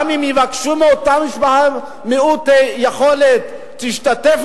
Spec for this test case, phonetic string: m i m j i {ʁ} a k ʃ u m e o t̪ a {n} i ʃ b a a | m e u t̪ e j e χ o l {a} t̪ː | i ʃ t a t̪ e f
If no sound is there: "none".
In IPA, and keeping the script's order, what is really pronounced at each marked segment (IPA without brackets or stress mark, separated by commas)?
v, m, e